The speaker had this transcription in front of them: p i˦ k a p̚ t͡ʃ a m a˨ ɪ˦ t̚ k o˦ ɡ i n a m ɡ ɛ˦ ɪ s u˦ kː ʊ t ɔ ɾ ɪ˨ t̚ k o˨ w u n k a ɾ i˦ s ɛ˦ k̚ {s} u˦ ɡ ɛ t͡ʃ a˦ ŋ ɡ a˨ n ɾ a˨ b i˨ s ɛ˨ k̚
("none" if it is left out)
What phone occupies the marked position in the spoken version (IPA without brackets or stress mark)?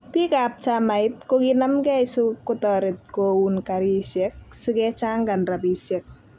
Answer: s